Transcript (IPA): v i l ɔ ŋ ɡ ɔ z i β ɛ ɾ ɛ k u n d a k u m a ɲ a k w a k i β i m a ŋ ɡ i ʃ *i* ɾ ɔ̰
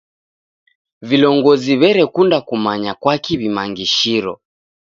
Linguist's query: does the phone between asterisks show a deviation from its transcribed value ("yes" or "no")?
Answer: no